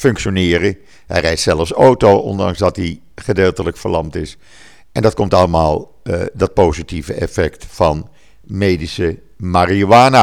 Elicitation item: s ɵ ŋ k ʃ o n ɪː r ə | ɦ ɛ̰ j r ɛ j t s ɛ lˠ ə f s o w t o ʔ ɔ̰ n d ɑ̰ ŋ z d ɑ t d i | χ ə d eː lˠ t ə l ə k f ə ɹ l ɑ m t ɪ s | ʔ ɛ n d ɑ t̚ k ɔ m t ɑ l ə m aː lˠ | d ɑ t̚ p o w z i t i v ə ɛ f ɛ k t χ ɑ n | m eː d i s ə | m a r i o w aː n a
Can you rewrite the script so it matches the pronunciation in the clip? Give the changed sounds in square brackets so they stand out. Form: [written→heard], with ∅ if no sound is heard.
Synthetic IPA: [s→f] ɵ ŋ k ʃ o n ɪː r ə | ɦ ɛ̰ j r ɛ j t s ɛ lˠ ə f s o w t o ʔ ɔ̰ n d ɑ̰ ŋ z d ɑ t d i | χ ə d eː lˠ t ə l ə k f ə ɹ l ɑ m t ɪ s | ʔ ɛ n d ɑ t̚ k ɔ m t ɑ l ə m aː lˠ | d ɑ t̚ p o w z i t i v ə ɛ f ɛ k t [χ→f] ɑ n | m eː d i s ə | m a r i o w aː n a